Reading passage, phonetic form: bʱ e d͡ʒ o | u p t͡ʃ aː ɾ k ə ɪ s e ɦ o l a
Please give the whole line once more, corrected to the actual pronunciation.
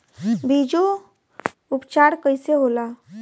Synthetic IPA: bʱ i d͡ʒ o | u p t͡ʃ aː ɾ k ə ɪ s e ɦ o l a